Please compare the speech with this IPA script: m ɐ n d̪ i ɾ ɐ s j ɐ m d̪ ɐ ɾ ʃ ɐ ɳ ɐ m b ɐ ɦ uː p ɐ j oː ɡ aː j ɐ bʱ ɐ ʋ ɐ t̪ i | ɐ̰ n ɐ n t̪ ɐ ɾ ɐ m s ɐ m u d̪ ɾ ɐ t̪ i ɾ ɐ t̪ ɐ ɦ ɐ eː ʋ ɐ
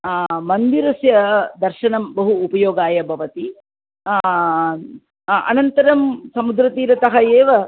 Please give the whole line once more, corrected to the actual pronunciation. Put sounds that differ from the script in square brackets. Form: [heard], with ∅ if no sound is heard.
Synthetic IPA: m ɐ n d̪ i ɾ ɐ s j ɐ [∅] d̪ ɐ ɾ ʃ ɐ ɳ ɐ m b ɐ ɦ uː p ɐ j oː ɡ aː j ɐ bʱ ɐ ʋ ɐ t̪ i | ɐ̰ n ɐ n t̪ ɐ ɾ ɐ m s ɐ m u d̪ ɾ ɐ t̪ [iː] ɾ ɐ t̪ ɐ ɦ ɐ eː ʋ ɐ

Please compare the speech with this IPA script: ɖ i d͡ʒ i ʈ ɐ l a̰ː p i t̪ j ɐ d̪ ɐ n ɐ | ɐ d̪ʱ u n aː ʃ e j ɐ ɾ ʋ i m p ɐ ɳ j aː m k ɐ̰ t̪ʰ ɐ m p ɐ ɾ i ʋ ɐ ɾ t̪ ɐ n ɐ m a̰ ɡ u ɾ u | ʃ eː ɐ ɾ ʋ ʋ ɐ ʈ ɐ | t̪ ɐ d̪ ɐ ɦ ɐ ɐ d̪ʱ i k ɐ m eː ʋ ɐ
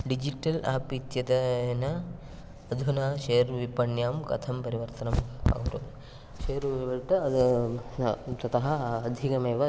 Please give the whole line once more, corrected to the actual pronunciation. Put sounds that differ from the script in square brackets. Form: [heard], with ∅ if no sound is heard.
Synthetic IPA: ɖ i d͡ʒ i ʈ ɐ l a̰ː p i t̪ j ɐ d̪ ɐ n ɐ | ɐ d̪ʱ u n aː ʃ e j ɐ ɾ ʋ i [∅] p ɐ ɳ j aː m k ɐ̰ t̪ʰ ɐ m p ɐ ɾ i ʋ ɐ ɾ t̪ ɐ n ɐ m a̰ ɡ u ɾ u | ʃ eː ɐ ɾ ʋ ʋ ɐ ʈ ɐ | t̪ ɐ [t̪] ɐ ɦ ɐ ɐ d̪ʱ i k ɐ m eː ʋ ɐ

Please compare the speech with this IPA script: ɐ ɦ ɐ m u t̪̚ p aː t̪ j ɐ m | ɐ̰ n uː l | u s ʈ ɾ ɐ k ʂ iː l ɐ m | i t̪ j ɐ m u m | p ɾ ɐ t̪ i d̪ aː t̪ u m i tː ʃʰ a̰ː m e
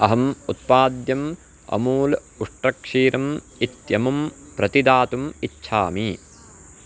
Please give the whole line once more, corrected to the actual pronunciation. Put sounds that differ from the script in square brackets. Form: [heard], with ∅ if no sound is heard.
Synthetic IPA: ɐ ɦ ɐ m u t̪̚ p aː [d̪] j ɐ m | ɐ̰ [m] uː l | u [ʂ] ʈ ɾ ɐ k ʂ iː [ɾ] ɐ m | i t̪ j ɐ m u m | p ɾ ɐ t̪ i d̪ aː t̪ u m i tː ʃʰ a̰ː m [i]

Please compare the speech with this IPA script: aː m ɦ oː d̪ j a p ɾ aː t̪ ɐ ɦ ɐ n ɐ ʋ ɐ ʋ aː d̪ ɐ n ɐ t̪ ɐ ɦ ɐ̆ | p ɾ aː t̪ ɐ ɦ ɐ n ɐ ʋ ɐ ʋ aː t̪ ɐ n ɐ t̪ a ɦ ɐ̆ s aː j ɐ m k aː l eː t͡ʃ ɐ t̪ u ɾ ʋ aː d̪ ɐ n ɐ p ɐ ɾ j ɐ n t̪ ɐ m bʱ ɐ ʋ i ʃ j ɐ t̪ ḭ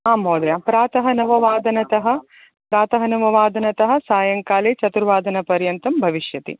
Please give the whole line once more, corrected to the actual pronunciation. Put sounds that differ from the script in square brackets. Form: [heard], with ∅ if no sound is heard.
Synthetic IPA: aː m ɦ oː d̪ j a p ɾ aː t̪ ɐ ɦ ɐ n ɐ ʋ ɐ ʋ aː d̪ ɐ n ɐ t̪ ɐ ɦ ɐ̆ | p ɾ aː t̪ ɐ ɦ ɐ n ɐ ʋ ɐ ʋ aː [d̪] ɐ n ɐ t̪ [ɐ] ɦ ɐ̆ s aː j ɐ [ŋ] k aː l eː t͡ʃ ɐ t̪ u ɾ ʋ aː d̪ ɐ n ɐ p ɐ ɾ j ɐ n t̪ ɐ m bʱ ɐ ʋ i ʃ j ɐ t̪ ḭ

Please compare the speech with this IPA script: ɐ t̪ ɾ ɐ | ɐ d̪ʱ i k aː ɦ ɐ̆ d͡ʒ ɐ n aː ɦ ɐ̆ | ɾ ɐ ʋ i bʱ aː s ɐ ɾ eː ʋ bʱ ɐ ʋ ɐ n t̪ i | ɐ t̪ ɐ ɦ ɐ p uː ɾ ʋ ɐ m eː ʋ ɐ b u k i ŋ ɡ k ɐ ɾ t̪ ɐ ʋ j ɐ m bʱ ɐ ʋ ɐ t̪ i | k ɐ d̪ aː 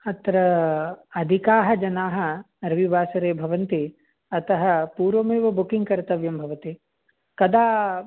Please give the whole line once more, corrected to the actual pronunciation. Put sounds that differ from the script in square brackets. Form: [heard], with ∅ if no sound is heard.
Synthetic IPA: ɐ t̪ ɾ ɐ | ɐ d̪ʱ i k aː ɦ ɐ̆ d͡ʒ ɐ n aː ɦ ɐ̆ | ɾ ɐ ʋ i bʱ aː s ɐ ɾ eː [∅] bʱ ɐ ʋ ɐ n t̪ i | ɐ t̪ ɐ ɦ ɐ p uː ɾ ʋ ɐ m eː ʋ ɐ b u k i ŋ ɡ k ɐ ɾ t̪ ɐ ʋ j ɐ m bʱ ɐ ʋ ɐ t̪ i | k ɐ d̪ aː

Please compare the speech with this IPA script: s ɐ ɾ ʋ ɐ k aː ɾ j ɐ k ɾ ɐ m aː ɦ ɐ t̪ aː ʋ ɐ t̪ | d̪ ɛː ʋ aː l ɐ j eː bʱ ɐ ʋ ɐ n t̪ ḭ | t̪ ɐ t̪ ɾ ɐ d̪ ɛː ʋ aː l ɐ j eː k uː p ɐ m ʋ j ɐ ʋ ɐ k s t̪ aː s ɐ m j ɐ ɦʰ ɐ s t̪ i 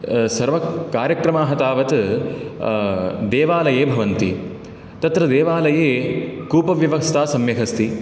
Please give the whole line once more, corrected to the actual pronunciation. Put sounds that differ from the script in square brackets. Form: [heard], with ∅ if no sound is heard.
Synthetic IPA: s ɐ ɾ ʋ ɐ k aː ɾ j ɐ k ɾ ɐ m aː ɦ ɐ t̪ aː ʋ ɐ t̪ | d̪ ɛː ʋ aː l ɐ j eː bʱ ɐ ʋ ɐ n t̪ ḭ | t̪ ɐ t̪ ɾ ɐ d̪ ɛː ʋ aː l ɐ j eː k uː p ɐ [∅] ʋ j ɐ ʋ ɐ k s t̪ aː s ɐ m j ɐ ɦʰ ɐ s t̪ i

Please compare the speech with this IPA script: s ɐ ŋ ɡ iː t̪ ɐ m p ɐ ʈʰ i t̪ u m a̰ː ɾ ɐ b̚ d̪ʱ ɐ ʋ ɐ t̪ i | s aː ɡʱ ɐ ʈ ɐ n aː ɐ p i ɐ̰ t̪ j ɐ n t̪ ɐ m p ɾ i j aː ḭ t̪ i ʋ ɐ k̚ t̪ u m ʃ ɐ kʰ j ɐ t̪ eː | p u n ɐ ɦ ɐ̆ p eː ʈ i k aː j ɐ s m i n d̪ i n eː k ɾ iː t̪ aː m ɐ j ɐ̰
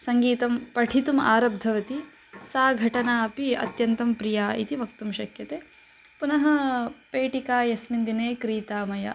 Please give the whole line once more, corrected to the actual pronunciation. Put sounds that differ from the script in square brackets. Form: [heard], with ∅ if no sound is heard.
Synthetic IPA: s ɐ ŋ ɡ iː t̪ ɐ m p ɐ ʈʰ i t̪ u m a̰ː ɾ ɐ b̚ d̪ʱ ɐ ʋ ɐ t̪ i | s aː ɡʱ ɐ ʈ ɐ n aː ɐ p i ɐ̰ t̪ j ɐ n t̪ ɐ m p ɾ i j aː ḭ t̪ i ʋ ɐ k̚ t̪ u m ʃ ɐ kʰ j ɐ t̪ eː | p u n ɐ ɦ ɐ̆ p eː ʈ i k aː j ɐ s m i n d̪ i n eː k ɾ iː t̪ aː m ɐ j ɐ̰

